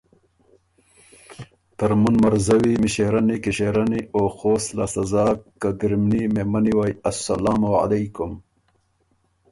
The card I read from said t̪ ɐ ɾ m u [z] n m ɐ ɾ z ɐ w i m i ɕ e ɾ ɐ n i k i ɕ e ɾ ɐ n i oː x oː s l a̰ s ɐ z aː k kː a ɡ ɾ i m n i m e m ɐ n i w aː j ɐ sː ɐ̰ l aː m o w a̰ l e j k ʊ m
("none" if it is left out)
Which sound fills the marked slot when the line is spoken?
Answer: none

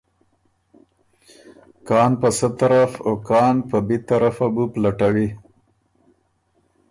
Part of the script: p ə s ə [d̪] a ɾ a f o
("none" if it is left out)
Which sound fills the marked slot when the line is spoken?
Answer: t̪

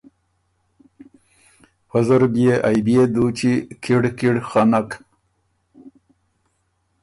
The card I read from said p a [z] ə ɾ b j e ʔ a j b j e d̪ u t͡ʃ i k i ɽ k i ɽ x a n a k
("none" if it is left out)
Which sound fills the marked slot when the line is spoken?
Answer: z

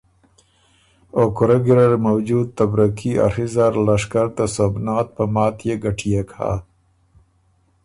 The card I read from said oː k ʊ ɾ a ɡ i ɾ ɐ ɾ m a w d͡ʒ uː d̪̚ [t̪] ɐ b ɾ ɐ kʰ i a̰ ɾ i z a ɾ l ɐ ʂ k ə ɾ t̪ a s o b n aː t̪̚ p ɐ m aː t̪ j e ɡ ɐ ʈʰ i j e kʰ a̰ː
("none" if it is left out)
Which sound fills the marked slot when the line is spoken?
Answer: t̪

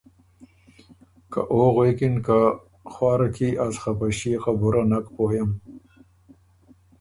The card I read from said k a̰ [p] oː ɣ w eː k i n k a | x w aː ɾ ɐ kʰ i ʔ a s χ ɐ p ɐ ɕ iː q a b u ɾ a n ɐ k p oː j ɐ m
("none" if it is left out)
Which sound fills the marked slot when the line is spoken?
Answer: ʔ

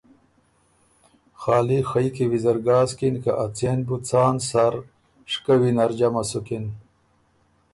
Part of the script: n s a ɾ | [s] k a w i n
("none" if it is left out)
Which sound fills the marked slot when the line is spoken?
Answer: ʂ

